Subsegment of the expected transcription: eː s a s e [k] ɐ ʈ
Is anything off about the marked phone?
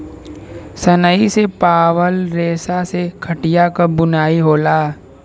yes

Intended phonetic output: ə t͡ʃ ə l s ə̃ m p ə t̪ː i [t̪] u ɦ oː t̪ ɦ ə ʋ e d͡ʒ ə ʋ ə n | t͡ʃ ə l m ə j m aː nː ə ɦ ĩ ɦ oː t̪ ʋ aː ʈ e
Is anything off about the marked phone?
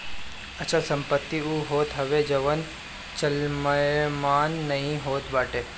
yes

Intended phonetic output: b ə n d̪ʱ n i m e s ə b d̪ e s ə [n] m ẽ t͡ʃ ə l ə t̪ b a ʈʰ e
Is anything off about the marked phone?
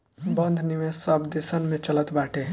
no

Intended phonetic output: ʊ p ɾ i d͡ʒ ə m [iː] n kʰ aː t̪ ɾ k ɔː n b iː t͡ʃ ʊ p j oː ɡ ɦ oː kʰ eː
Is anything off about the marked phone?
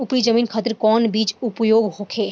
no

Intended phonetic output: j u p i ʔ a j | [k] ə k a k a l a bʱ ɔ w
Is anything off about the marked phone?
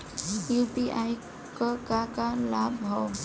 no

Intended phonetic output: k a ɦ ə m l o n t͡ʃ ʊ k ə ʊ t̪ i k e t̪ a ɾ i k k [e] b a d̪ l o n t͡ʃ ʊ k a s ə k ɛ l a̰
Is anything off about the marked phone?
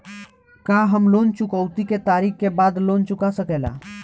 no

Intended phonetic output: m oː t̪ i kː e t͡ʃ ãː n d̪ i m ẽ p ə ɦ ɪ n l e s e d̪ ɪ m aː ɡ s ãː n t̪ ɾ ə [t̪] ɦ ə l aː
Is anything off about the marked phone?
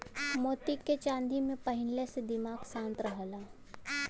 yes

